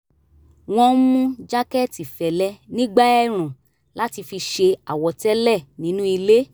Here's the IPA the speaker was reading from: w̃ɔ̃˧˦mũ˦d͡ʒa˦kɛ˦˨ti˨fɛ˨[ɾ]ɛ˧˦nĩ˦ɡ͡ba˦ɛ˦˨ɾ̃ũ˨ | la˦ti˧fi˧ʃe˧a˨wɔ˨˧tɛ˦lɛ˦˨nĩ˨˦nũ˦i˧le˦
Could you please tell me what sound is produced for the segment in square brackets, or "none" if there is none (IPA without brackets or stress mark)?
l